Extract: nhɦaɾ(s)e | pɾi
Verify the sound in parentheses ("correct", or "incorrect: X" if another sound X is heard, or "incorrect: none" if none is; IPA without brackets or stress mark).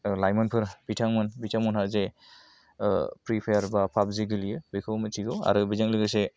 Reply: incorrect: z